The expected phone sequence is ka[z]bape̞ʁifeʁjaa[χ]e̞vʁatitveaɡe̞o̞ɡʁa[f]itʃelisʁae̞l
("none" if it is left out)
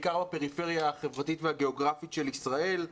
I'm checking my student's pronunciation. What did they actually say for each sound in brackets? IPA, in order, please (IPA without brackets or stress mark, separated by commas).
ʁ, χ, f